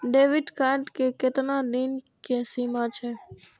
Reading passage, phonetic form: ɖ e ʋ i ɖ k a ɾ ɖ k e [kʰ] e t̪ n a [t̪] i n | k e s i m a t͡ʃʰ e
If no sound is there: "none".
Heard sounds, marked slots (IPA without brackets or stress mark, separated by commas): k, d̪